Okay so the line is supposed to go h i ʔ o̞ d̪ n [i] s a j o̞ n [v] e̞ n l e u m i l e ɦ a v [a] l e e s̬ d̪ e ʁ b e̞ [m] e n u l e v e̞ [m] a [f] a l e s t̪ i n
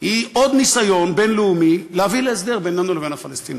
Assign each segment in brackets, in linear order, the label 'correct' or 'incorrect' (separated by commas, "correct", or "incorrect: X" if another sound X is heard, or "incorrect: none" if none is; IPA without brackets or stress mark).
correct, incorrect: b, incorrect: i, incorrect: n, incorrect: n, correct